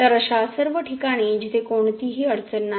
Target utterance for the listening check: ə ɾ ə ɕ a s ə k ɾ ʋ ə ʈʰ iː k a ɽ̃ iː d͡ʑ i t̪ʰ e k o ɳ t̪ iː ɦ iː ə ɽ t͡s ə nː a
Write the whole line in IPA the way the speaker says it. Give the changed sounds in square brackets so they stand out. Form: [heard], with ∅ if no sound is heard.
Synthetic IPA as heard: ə ɾ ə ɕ a s ə [∅] ɾ ʋ ə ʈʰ [i] k a ɽ̃ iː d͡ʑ i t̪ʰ e k o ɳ t̪ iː ɦ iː ə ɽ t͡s ə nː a